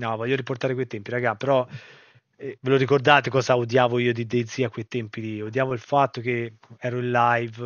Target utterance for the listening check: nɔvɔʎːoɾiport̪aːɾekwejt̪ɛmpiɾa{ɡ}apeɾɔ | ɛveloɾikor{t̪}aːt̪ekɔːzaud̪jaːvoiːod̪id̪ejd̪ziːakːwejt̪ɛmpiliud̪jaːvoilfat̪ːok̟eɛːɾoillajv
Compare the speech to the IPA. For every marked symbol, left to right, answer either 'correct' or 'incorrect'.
correct, incorrect

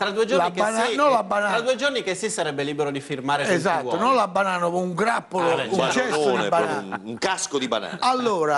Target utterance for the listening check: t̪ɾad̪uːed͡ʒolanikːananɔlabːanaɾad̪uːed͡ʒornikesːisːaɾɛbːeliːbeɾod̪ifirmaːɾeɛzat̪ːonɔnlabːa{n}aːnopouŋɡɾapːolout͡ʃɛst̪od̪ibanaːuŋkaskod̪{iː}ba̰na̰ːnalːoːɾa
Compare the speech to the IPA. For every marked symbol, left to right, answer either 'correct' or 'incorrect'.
correct, incorrect

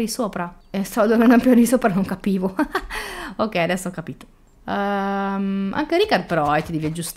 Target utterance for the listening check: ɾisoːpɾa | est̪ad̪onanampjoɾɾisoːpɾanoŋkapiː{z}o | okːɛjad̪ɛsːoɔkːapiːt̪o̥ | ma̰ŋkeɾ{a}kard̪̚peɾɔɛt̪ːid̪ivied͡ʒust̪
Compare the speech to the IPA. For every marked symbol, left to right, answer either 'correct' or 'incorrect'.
incorrect, incorrect

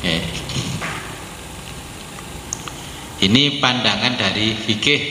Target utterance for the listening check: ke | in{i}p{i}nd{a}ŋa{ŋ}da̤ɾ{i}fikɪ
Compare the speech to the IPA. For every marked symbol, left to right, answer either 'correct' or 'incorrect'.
correct, incorrect, correct, incorrect, correct

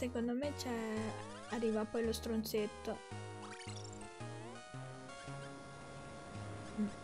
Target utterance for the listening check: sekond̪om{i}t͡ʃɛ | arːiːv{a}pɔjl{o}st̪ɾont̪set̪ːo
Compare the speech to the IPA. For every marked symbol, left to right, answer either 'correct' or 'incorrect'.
incorrect, correct, correct

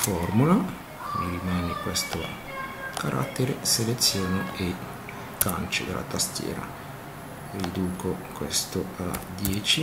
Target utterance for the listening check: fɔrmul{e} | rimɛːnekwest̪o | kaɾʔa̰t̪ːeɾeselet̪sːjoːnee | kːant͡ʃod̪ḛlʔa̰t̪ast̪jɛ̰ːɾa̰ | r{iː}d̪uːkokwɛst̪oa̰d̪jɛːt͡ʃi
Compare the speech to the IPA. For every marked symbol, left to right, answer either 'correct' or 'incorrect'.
incorrect, incorrect

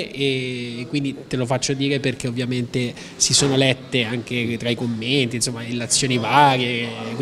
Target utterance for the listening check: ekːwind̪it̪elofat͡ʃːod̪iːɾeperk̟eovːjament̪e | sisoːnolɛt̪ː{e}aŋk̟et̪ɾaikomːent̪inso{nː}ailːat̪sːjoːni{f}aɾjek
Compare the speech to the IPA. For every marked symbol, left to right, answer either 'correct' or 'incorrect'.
correct, incorrect, incorrect

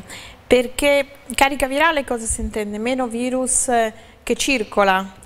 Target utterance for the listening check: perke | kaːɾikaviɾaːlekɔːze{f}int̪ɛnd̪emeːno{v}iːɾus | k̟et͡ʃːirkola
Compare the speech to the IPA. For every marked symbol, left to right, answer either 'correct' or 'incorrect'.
incorrect, correct

